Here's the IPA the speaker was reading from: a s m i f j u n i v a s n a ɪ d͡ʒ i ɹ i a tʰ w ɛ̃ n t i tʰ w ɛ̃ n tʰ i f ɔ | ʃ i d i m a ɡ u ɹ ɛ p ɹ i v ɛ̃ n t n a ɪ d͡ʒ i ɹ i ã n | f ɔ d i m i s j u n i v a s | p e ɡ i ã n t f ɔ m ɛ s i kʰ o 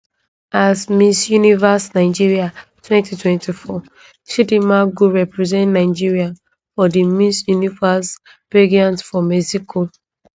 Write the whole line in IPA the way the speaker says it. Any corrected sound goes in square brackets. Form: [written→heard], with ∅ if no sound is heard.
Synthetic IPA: a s m i [f→s] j u n i v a s n a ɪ d͡ʒ i ɹ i a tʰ w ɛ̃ n t i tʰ w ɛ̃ n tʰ i f ɔ | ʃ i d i m a ɡ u ɹ ɛ p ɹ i [v→z] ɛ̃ n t n a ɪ d͡ʒ i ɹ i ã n | f ɔ d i m i s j u n i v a s | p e ɡ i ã n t f ɔ m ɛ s i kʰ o